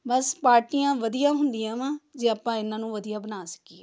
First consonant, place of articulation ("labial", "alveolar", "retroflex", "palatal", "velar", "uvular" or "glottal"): labial